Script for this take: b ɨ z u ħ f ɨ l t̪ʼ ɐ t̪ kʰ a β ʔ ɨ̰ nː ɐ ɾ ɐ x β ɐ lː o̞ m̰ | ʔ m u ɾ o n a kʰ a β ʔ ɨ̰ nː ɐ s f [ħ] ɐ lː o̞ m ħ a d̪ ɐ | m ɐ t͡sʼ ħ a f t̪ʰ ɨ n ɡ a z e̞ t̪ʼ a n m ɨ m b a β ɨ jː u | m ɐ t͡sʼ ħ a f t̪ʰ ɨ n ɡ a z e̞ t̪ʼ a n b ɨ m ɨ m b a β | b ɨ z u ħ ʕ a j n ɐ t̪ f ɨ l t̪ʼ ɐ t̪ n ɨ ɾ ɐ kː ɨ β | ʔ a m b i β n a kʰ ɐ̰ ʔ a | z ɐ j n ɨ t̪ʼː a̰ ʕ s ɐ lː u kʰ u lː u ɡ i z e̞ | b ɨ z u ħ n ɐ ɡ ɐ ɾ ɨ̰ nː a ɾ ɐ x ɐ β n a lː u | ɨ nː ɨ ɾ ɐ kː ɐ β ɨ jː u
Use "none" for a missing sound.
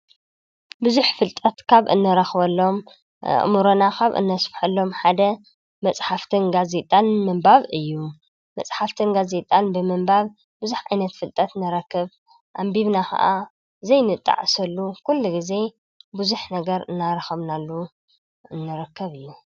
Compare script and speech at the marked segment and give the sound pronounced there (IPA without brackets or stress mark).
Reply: ħ